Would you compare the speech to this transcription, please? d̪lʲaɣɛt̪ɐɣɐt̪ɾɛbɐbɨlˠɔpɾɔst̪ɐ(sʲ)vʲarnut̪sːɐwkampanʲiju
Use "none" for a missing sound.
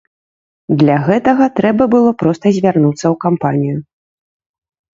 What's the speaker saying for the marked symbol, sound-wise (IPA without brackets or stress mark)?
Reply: zʲ